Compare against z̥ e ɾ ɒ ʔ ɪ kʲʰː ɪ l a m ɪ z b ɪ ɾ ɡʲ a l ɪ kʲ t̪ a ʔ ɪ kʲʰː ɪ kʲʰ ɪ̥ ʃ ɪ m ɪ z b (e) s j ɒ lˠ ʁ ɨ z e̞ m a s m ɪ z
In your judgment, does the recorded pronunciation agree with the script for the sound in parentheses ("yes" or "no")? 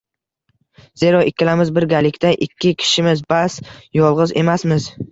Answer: no